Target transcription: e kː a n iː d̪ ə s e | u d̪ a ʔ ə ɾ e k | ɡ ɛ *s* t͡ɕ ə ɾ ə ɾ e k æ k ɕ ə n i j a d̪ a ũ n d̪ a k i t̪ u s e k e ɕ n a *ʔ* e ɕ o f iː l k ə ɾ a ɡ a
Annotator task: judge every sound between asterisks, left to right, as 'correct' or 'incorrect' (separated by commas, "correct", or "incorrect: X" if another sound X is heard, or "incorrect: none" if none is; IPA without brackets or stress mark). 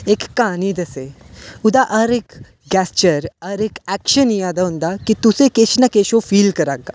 correct, incorrect: k